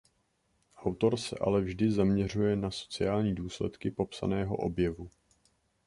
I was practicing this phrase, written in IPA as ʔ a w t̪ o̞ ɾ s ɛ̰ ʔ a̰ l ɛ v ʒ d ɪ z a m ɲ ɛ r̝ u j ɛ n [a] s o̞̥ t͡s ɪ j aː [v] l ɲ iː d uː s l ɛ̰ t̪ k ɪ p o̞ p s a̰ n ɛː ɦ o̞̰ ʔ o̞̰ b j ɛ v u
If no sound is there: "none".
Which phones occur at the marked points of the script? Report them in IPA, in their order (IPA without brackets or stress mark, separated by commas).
a, none